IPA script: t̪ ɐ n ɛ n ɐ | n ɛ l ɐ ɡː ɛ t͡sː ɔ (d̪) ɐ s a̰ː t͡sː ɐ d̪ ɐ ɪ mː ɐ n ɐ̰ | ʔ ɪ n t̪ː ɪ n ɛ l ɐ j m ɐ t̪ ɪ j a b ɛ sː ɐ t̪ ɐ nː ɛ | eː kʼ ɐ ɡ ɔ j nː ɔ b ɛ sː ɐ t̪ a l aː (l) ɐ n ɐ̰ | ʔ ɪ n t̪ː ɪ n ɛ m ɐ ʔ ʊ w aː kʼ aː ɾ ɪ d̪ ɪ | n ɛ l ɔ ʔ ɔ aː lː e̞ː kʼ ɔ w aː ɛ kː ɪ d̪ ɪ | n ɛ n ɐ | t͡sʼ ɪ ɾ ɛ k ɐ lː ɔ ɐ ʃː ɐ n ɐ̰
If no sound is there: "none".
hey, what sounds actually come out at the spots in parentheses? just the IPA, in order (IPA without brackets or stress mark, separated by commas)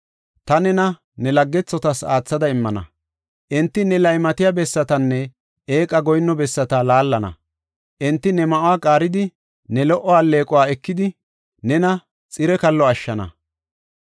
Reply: t̪, lː